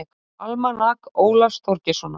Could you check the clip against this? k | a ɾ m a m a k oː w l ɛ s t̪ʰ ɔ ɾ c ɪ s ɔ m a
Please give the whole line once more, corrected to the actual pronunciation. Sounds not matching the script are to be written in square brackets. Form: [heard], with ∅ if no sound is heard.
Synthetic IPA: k | a [l] m a [n] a k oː w l [a] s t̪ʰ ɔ ɾ c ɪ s ɔ [n] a

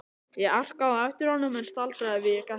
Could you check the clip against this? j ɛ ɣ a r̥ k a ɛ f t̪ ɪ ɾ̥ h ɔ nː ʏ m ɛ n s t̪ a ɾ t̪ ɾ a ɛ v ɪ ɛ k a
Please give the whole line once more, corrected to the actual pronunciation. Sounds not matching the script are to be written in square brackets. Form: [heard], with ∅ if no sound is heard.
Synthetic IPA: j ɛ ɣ a r̥ k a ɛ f t̪ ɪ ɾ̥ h ɔ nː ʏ m ɛ n s t̪ a [l] t̪ ɾ a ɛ v ɪ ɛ k a

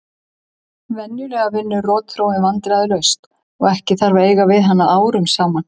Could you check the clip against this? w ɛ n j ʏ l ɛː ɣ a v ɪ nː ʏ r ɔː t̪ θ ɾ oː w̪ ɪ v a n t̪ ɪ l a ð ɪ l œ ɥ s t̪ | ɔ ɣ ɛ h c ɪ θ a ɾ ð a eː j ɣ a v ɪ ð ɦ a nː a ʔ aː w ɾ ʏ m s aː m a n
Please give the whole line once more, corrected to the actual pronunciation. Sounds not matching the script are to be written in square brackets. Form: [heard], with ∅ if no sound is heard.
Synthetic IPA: [v] ɛ n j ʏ l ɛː ɣ a v ɪ nː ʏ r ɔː t̪ θ ɾ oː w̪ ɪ v a n t̪ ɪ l a ð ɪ l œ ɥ s t̪ | ɔ ɣ ɛ h c ɪ θ a ɾ [v] a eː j ɣ a v ɪ ð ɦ a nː a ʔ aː w ɾ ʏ m s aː m a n

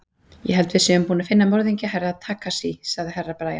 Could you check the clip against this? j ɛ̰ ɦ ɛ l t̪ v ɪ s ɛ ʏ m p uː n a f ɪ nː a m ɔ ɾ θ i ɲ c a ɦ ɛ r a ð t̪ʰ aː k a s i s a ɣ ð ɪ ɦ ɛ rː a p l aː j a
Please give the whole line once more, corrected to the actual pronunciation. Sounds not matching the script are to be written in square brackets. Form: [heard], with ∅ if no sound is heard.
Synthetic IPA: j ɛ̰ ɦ ɛ l t̪ v ɪ s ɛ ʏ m p uː n a f ɪ nː a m ɔ ɾ [ð] i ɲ c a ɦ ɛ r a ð t̪ʰ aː k a s i s a ɣ ð ɪ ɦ ɛ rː a p [ɾ] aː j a

